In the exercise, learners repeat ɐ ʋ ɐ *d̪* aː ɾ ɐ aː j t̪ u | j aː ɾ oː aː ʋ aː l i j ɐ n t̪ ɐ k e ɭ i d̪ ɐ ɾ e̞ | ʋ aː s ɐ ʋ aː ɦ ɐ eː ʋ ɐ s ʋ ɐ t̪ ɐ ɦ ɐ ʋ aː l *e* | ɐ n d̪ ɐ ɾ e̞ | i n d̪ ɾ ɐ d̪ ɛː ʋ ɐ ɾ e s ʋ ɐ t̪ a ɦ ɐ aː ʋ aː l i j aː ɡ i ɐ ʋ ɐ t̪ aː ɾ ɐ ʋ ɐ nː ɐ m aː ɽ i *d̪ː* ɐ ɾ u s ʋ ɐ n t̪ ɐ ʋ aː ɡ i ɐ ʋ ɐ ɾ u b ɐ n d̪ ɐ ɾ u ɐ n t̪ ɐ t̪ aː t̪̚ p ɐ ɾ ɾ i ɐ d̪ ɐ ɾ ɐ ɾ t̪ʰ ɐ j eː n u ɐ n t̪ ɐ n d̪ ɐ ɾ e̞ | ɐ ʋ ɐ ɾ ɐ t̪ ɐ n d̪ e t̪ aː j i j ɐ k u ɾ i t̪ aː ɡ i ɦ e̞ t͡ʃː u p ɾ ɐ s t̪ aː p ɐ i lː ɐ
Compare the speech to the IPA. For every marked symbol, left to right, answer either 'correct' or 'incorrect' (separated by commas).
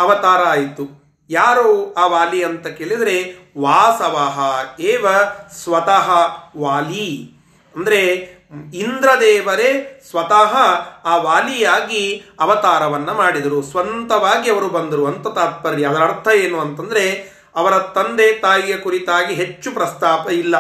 incorrect, incorrect, incorrect